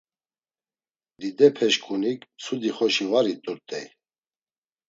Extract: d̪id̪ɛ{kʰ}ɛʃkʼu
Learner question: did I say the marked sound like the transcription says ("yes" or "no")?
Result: no